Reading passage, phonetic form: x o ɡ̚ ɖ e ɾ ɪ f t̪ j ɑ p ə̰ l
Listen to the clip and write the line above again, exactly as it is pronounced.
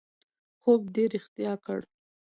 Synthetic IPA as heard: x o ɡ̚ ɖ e ɾ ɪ x t̪ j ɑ k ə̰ ɽ

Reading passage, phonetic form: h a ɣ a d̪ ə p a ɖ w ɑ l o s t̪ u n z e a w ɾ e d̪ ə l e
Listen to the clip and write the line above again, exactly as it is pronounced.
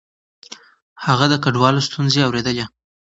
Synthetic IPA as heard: h a ɣ a d̪ ə k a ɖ w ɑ l o s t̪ u n z e a w ɾ e d̪ ə l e

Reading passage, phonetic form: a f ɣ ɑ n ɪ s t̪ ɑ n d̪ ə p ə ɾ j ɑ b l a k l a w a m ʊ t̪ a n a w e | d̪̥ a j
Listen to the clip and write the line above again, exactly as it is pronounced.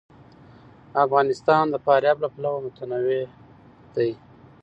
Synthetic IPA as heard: a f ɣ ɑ n ɪ s t̪ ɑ n d̪ ə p ɑ ɾ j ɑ b l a p l a w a m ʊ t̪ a n a w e | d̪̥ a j

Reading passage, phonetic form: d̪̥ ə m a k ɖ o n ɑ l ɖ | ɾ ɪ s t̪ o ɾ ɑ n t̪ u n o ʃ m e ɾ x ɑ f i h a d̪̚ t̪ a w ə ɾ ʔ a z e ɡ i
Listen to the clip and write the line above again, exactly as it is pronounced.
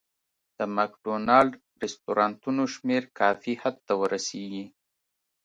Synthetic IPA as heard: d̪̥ ə m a k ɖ o n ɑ l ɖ | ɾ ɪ s t̪ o ɾ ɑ n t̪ u n o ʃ m e ɾ k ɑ f i h a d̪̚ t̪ a w ə ɾ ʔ a s e ɡ i

